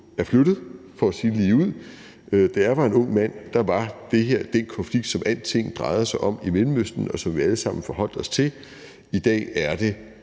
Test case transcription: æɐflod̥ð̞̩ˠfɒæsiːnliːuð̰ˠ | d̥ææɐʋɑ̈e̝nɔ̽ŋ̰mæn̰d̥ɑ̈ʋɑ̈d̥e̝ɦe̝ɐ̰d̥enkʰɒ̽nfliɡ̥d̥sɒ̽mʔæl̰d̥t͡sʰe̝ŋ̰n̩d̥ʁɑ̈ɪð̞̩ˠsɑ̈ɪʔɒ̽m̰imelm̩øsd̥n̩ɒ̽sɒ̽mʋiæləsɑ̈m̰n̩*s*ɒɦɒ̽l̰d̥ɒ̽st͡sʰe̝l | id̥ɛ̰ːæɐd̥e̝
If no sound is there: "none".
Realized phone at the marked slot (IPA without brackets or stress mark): f